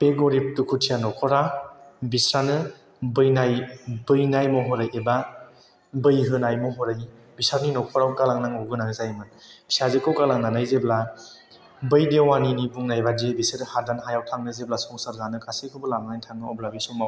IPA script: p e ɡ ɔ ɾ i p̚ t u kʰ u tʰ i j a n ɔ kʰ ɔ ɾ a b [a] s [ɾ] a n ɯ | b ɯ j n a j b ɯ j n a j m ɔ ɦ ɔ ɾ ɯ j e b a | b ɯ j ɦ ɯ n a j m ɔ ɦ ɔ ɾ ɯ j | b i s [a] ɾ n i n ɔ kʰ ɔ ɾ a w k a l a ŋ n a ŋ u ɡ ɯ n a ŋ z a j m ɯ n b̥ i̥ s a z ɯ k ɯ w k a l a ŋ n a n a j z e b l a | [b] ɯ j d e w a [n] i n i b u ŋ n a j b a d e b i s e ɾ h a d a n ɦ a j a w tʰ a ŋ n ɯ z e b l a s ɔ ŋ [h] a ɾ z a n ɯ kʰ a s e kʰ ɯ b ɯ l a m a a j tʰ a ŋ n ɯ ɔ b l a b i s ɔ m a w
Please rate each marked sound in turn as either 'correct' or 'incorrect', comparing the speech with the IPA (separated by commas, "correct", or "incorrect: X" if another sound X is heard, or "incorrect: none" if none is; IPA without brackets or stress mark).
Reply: incorrect: i, correct, correct, correct, correct, incorrect: s